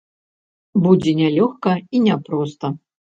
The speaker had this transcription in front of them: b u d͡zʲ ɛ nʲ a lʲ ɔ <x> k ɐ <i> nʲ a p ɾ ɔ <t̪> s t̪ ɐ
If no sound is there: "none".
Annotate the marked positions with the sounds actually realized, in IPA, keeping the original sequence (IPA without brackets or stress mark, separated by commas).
x, i, none